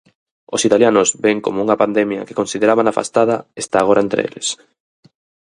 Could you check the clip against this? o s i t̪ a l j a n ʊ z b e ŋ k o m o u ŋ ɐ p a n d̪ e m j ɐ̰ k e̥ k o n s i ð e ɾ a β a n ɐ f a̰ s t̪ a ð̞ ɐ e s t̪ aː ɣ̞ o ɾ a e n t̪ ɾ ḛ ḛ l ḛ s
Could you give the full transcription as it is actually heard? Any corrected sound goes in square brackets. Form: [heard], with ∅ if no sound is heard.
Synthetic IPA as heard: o s i t̪ a l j a n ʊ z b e ŋ k o m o u ŋ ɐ p a n d̪ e m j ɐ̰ k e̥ k o n s i ð e ɾ a β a n [a] f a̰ s t̪ a ð̞ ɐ e s t̪ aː ɣ̞ o ɾ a e n t̪ ɾ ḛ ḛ l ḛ s